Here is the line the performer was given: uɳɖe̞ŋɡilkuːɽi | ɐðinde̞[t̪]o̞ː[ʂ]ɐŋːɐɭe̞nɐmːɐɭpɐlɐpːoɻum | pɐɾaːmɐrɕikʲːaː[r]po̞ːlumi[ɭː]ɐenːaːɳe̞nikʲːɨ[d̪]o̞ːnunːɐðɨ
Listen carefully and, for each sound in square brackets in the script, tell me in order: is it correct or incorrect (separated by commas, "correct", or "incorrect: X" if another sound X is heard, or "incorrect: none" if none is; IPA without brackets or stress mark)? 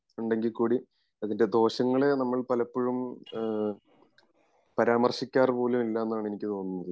incorrect: d̪, incorrect: ɕ, correct, incorrect: lː, incorrect: t̪